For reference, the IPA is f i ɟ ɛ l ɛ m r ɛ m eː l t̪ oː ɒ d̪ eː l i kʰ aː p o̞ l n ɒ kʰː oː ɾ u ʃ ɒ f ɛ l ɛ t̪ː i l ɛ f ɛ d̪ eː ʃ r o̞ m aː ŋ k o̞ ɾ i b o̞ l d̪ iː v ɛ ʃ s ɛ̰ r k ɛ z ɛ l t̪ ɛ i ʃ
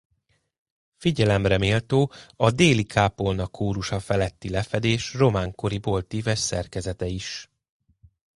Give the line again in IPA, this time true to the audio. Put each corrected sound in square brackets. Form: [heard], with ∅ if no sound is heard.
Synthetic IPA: f i ɟ ɛ l ɛ m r ɛ m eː l t̪ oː ɒ d̪ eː l i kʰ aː p o̞ l n ɒ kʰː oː ɾ u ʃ ɒ f ɛ l ɛ t̪ː i l ɛ f ɛ d̪ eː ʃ r o̞ m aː ŋ k o̞ ɾ i b o̞ l [t̪] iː v ɛ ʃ s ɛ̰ r k ɛ z ɛ [∅] t̪ ɛ i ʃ

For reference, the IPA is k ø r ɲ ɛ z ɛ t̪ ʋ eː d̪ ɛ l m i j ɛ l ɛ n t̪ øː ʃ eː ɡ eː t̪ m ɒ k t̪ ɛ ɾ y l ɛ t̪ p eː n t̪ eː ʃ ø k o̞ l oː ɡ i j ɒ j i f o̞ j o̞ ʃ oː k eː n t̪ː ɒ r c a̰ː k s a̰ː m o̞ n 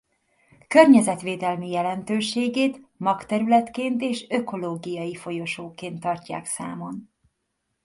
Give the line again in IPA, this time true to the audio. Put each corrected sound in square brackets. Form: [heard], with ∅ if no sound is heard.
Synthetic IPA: k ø r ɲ ɛ z ɛ t̪ ʋ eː d̪ ɛ l m i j ɛ l ɛ n t̪ øː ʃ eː ɡ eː t̪ m ɒ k t̪ ɛ ɾ y l ɛ t̪ [k] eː n t̪ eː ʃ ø k o̞ l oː ɡ i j ɒ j i f o̞ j o̞ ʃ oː k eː n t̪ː ɒ r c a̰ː k s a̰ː m o̞ n

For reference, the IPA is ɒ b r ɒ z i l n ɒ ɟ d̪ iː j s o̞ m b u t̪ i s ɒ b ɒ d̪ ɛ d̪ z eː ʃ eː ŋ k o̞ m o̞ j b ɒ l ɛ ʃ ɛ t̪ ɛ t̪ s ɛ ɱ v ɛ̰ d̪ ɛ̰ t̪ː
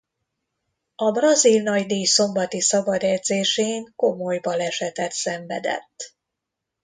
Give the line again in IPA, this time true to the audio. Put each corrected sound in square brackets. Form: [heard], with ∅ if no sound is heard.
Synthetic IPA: ɒ b r ɒ z i l n ɒ ɟ d̪ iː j s o̞ m b [ɒ] t̪ i s ɒ b ɒ d̪ ɛ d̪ z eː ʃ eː ŋ k o̞ m o̞ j b ɒ l ɛ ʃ ɛ t̪ ɛ t̪ s ɛ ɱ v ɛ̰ d̪ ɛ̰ t̪ː

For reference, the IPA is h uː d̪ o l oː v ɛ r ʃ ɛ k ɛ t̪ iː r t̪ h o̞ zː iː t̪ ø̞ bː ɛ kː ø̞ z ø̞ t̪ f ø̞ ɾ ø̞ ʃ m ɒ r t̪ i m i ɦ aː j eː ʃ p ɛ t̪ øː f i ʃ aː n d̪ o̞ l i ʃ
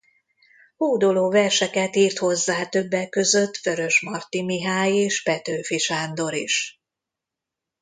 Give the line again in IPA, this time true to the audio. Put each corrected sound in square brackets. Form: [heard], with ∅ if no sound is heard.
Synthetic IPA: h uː d̪ o l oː v ɛ r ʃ ɛ k ɛ t̪ iː r t̪ h o̞ zː [aː] t̪ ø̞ bː ɛ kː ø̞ z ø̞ t̪ f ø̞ ɾ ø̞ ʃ m ɒ r t̪ i m i ɦ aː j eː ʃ p ɛ t̪ øː f i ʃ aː n d̪ o̞ [ɾ] i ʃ

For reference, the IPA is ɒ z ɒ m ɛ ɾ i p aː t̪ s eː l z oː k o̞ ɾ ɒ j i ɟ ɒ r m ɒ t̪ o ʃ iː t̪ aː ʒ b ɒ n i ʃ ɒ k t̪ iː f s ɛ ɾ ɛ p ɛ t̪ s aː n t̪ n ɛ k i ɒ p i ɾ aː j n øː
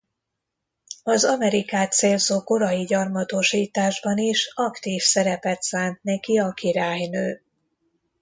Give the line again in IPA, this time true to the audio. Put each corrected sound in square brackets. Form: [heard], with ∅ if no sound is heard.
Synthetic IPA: ɒ z ɒ m ɛ ɾ i [k] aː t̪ s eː l z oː k o̞ ɾ ɒ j i ɟ ɒ r m ɒ t̪ o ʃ iː t̪ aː ʒ b ɒ n i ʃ ɒ k t̪ iː f s ɛ ɾ ɛ p ɛ t̪ s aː n t̪ n ɛ k i ɒ [k] i ɾ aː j n øː

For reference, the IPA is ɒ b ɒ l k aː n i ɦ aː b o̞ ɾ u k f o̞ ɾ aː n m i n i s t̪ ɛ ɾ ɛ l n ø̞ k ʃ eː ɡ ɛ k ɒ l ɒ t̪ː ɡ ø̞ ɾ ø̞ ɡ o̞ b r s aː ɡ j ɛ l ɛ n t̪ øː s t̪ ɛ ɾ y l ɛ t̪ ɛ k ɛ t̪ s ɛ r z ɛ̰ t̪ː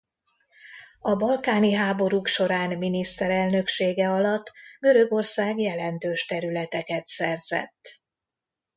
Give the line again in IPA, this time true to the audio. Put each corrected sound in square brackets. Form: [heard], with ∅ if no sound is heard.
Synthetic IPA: ɒ b ɒ l k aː n i ɦ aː b o̞ ɾ u k [ʃ] o̞ ɾ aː n m i n i s t̪ ɛ ɾ ɛ l n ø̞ k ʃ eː ɡ ɛ [∅] ɒ l ɒ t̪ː ɡ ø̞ ɾ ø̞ ɡ o̞ [∅] r s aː ɡ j ɛ l ɛ n t̪ øː [ʃ] t̪ ɛ ɾ y l ɛ t̪ ɛ k ɛ t̪ s ɛ r z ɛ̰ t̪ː

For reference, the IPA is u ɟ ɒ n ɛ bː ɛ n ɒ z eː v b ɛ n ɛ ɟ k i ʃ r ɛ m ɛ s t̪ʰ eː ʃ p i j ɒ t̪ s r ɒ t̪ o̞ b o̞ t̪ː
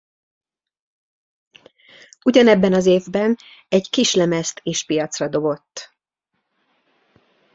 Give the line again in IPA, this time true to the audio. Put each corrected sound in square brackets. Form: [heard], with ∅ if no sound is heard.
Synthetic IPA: u ɟ ɒ n ɛ bː ɛ n ɒ z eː v b ɛ n ɛ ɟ k i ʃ [l] ɛ m ɛ s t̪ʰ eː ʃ p i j ɒ t̪ s r ɒ [d̪] o̞ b o̞ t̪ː

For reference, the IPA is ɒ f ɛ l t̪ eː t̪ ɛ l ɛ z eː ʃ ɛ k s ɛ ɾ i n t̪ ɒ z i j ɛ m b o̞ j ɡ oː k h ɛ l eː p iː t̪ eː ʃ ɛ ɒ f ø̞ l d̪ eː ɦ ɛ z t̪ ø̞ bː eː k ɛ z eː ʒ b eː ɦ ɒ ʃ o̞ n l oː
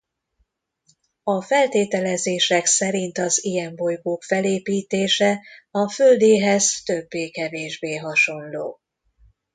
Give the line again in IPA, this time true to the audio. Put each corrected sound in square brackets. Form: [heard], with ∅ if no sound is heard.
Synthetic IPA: ɒ f ɛ l t̪ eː t̪ ɛ l ɛ z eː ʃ ɛ k s ɛ ɾ i n t̪ ɒ z i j ɛ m b o̞ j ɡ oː k [f] ɛ l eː p iː t̪ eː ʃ ɛ ɒ f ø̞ l d̪ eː ɦ ɛ z t̪ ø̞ bː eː k ɛ [v] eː ʒ b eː ɦ ɒ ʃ o̞ n l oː

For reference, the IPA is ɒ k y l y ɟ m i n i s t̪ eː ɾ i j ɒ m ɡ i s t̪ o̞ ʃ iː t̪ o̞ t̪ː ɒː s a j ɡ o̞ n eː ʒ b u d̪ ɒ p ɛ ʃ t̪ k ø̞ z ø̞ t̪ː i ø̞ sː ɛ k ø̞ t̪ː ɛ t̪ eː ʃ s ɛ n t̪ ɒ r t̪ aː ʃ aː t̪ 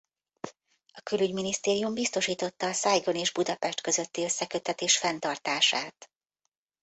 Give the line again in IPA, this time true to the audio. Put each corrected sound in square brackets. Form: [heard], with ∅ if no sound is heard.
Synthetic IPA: ɒ k y l y ɟ m i n i s t̪ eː ɾ i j [u] m [b] i s t̪ o̞ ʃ iː t̪ o̞ t̪ː ɒː s a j ɡ o̞ n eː ʒ b u d̪ ɒ p ɛ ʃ t̪ k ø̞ z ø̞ t̪ː i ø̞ sː ɛ k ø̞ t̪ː ɛ t̪ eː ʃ [f] ɛ n t̪ ɒ r t̪ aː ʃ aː t̪

